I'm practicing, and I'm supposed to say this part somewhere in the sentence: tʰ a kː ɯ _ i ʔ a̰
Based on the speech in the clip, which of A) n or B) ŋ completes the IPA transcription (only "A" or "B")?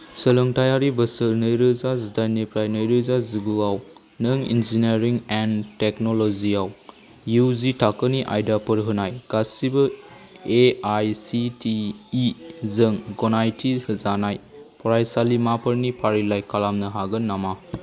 A